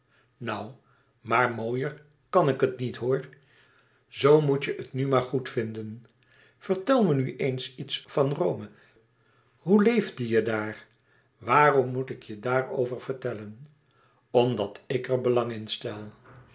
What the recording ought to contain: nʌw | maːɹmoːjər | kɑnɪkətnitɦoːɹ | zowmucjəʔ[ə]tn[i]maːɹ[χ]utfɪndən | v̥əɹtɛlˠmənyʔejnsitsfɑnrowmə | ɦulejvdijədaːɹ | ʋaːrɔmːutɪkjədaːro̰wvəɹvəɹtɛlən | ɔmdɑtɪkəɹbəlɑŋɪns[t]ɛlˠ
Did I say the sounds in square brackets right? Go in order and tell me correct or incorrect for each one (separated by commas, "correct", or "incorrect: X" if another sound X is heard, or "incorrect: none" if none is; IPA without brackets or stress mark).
correct, incorrect: y, correct, correct